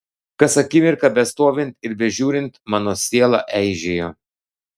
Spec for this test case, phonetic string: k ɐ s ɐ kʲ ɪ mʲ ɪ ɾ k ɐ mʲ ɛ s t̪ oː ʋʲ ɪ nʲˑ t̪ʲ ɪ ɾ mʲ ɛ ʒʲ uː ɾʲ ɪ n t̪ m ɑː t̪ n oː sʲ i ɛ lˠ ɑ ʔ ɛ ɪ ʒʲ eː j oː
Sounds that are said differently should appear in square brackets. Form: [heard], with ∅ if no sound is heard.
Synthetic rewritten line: k ɐ s ɐ kʲ ɪ mʲ ɪ ɾ k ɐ [bʲ] ɛ s t̪ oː ʋʲ ɪ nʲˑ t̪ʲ ɪ ɾ [bʲ] ɛ ʒʲ uː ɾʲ ɪ n t̪ m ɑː [∅] n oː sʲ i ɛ lˠ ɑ ʔ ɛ ɪ ʒʲ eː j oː